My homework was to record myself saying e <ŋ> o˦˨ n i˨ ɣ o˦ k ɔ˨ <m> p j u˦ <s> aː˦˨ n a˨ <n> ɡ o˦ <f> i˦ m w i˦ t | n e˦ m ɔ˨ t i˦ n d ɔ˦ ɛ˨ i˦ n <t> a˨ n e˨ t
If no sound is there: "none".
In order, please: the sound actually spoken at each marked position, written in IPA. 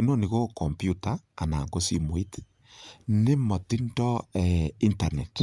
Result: n, m, t, ŋ, s, t

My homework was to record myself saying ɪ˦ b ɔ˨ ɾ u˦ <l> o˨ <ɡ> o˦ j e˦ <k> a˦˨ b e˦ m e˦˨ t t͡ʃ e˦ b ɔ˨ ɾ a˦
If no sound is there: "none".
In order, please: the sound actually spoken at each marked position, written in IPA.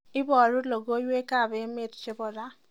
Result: l, ɡ, k

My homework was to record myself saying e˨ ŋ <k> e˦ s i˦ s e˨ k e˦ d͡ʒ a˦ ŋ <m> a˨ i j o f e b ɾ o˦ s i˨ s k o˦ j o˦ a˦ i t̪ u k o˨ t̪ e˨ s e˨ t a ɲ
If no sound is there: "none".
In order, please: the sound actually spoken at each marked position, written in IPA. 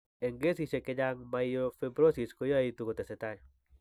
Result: ɡ, m

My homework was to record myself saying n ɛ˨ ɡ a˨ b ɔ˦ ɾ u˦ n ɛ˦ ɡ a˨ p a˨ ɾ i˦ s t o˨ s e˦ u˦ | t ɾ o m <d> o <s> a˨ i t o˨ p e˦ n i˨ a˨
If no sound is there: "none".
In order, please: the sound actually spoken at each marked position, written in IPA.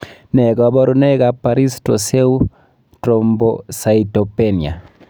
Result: b, s

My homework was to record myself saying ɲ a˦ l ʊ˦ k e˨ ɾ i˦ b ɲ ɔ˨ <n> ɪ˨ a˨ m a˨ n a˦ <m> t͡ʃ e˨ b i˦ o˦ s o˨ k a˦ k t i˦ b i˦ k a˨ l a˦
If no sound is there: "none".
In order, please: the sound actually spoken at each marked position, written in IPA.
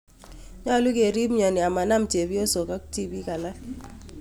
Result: n, m

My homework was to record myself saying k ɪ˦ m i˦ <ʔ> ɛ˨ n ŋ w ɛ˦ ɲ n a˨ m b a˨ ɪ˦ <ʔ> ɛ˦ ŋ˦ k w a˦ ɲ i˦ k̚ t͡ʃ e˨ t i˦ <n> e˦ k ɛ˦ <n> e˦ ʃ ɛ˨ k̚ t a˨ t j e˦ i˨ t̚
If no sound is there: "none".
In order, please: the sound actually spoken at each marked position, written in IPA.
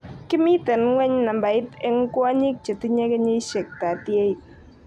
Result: t, t, ɲ, ɲ

